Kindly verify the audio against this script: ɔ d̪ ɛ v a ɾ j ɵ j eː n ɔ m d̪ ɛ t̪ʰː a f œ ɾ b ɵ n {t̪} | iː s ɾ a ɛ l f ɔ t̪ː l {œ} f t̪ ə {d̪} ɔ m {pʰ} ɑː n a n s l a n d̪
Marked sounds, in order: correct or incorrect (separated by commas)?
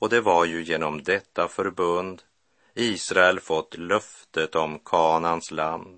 incorrect, correct, incorrect, incorrect